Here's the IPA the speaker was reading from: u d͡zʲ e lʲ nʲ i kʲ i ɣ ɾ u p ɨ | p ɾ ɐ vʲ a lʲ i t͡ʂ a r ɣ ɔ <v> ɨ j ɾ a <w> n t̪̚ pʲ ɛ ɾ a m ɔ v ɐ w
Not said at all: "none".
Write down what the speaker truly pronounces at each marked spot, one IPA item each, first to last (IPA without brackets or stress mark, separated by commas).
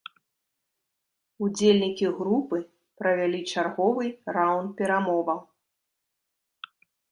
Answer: v, w